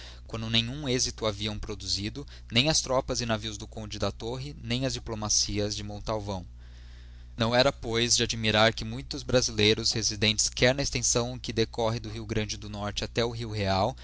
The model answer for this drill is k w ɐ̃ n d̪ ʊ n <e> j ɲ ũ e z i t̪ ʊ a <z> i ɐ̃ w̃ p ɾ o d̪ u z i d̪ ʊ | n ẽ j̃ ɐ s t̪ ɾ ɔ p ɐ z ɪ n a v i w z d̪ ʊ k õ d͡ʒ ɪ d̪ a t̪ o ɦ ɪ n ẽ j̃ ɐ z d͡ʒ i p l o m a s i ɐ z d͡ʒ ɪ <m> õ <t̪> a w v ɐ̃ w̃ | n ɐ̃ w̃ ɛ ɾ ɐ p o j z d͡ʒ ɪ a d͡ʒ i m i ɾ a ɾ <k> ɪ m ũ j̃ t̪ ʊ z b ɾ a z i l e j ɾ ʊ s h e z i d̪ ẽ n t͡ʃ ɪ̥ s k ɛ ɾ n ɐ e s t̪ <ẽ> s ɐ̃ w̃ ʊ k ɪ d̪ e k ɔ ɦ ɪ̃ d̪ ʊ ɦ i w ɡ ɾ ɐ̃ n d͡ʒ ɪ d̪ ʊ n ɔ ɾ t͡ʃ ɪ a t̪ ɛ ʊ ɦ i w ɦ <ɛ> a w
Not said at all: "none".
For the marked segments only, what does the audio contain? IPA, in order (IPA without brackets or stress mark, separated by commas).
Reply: ẽ, v, m, t̪, k, ẽ, e